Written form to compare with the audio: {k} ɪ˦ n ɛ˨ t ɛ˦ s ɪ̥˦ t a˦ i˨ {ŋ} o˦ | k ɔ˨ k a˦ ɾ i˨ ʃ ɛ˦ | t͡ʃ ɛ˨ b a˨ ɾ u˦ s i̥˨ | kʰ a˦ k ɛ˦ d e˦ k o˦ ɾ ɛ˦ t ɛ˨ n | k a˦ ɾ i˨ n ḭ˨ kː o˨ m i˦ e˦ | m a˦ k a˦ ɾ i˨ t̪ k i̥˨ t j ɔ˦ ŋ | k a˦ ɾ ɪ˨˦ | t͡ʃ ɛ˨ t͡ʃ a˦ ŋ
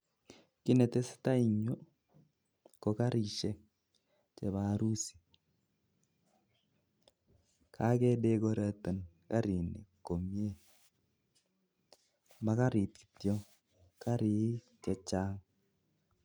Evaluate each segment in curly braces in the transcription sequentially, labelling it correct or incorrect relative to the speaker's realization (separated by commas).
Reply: correct, incorrect